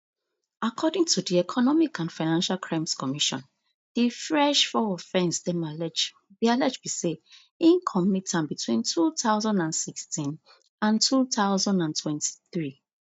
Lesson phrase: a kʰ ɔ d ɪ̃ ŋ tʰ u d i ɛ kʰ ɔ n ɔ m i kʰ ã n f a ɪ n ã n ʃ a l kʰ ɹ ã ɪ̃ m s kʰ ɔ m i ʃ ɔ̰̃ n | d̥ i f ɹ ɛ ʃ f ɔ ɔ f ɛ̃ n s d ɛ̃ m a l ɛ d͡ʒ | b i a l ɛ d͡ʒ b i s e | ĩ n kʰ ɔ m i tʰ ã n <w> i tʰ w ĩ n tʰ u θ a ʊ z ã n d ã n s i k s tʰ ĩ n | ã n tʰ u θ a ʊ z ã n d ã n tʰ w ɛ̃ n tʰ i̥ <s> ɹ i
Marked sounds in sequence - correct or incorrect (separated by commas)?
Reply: incorrect, incorrect